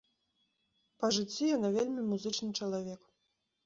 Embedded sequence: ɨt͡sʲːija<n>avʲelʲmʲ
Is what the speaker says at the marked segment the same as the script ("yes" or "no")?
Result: yes